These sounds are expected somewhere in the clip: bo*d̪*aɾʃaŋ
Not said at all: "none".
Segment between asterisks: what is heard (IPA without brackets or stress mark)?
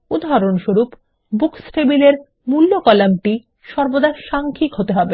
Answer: d̪